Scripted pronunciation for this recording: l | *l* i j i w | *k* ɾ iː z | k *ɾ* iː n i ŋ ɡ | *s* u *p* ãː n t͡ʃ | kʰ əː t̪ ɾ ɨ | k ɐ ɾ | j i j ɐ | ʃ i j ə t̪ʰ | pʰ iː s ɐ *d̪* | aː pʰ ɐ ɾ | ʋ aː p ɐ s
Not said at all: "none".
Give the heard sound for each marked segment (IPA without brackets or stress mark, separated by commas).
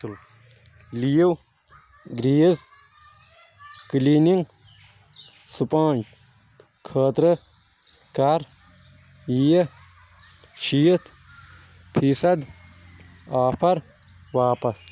l, ɡ, l, s, p, d̪